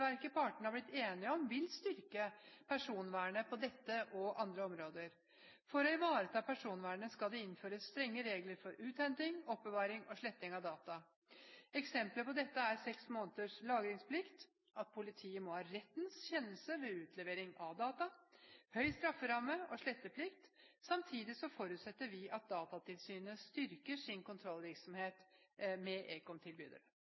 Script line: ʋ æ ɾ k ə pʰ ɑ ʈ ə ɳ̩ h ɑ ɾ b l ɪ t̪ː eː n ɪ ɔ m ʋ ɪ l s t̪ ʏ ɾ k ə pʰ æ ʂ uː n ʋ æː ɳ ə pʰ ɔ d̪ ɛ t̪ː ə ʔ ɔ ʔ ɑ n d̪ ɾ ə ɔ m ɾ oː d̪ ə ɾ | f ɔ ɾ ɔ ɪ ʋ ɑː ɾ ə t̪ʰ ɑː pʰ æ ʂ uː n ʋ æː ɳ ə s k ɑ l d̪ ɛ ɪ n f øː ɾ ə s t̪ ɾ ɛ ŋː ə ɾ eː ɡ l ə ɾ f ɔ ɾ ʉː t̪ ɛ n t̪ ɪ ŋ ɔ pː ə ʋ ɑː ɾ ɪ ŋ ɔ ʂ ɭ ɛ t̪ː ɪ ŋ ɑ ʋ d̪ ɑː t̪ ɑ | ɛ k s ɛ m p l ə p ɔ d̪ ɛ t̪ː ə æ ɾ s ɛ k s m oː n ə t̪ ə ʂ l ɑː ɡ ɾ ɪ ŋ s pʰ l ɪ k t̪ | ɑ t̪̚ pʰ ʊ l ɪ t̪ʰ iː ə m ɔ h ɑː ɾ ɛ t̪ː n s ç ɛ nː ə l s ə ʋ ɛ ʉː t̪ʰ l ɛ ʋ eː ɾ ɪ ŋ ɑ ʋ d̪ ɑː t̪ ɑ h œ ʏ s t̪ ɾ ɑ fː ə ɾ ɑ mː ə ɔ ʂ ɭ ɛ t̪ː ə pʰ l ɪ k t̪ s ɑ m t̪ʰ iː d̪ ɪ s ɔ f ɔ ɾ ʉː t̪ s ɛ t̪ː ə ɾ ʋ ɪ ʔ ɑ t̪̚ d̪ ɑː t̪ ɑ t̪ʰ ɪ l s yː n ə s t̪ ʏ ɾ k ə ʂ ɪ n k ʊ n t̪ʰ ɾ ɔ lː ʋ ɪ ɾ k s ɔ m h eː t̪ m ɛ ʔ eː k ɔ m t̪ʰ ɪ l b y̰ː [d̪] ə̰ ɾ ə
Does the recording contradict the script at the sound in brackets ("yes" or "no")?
no